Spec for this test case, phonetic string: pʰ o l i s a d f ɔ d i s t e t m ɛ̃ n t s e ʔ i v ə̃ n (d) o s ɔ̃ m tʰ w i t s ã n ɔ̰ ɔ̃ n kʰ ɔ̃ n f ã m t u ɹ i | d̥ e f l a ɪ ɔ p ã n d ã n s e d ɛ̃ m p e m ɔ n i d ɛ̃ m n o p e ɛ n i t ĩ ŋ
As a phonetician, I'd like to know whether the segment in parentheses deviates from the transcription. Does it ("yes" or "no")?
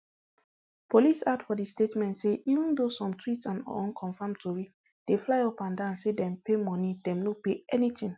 no